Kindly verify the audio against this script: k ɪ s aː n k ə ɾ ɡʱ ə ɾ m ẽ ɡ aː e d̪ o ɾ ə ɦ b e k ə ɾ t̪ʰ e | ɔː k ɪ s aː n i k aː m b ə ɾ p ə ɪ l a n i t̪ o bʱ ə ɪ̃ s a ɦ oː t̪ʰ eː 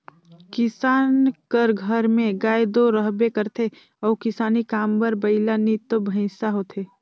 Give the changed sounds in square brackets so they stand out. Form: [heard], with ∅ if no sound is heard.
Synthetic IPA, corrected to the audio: k ɪ s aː n k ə ɾ ɡʱ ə ɾ m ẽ ɡ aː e d̪ o ɾ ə ɦ b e k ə ɾ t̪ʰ e | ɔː k ɪ s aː n i k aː m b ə ɾ [b] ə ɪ l a n i t̪ o bʱ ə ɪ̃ s a ɦ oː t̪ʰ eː

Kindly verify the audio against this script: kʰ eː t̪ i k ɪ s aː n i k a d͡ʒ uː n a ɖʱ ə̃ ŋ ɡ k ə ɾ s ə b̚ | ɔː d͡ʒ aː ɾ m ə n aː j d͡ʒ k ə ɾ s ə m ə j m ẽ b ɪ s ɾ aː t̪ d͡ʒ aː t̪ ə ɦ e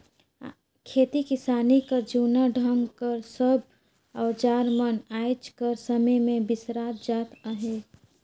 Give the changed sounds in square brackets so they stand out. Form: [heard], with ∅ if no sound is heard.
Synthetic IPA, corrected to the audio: kʰ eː t̪ i k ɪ s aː n i k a d͡ʒ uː n a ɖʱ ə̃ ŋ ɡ k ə ɾ s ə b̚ | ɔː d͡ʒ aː ɾ m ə n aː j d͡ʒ k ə ɾ s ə m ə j m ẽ b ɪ s ɾ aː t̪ d͡ʒ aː t̪ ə ɦ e

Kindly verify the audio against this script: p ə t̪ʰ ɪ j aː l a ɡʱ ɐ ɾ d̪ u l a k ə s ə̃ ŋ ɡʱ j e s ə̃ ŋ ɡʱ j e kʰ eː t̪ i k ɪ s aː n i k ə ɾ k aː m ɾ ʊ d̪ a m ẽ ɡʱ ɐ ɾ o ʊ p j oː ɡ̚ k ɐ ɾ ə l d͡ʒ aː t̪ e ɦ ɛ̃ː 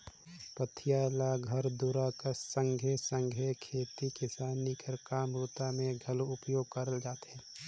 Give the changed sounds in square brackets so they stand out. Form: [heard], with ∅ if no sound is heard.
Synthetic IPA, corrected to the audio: p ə t̪ʰ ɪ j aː l a ɡʱ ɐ ɾ d̪ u [ɾ] a k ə s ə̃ ŋ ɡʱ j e s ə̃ ŋ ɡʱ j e kʰ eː t̪ i k ɪ s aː n i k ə ɾ k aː m ɾ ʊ [t̪] a m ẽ ɡʱ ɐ [l] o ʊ p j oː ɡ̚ k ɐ ɾ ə l d͡ʒ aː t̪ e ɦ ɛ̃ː

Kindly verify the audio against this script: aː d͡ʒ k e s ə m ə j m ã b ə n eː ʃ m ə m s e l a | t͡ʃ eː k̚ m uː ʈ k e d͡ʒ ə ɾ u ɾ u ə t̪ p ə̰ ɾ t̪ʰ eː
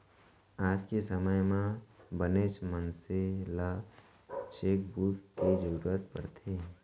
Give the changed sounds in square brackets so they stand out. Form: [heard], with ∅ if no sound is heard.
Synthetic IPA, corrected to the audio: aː d͡ʒ k e s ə m ə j m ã b ə n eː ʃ m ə [n] s e l a | t͡ʃ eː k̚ [b] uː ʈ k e d͡ʒ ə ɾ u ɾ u ə t̪ p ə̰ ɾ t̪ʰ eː

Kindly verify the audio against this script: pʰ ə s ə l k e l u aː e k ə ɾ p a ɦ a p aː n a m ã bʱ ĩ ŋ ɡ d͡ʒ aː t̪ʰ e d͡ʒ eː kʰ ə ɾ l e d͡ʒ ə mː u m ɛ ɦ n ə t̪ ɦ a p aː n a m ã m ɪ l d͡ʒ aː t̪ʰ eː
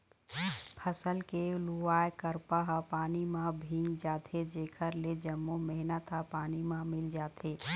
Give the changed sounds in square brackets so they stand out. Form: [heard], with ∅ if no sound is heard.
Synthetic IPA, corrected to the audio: pʰ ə s ə l k e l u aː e k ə ɾ p a ɦ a p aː n [i] m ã bʱ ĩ ŋ ɡ d͡ʒ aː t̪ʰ e d͡ʒ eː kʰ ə ɾ l e d͡ʒ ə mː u m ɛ ɦ n ə t̪ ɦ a p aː n [i] m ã m ɪ l d͡ʒ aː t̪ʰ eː

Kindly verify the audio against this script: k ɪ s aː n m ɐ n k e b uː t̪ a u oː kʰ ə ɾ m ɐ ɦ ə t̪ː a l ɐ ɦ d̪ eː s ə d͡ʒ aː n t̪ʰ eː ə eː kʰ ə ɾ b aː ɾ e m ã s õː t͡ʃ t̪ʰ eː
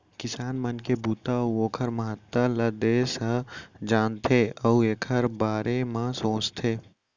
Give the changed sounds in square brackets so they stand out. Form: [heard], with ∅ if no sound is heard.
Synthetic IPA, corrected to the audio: k ɪ s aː n m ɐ n k e b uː t̪ a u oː kʰ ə ɾ m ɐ ɦ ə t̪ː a l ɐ [∅] d̪ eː s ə d͡ʒ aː n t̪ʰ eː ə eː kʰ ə ɾ b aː ɾ e m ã s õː t͡ʃ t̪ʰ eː

